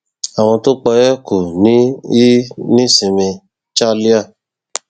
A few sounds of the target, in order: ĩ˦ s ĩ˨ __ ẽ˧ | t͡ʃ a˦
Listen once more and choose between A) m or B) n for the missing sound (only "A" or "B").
A